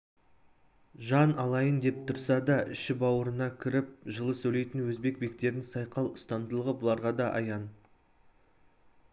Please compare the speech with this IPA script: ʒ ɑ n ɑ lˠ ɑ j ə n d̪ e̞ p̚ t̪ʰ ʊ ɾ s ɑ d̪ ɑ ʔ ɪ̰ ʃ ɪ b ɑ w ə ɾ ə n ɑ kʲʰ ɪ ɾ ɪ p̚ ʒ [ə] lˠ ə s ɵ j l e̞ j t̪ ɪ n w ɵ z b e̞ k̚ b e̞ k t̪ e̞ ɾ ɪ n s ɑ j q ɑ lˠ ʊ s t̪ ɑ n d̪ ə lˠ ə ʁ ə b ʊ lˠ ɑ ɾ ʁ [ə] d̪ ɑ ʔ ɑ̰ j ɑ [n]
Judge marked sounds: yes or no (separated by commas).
yes, no, yes